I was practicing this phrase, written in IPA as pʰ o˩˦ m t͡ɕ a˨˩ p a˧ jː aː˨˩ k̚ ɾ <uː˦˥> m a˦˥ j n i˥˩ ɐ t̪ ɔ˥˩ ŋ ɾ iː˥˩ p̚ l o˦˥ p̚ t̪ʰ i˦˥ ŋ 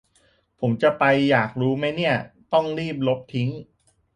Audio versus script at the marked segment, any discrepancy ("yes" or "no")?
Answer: no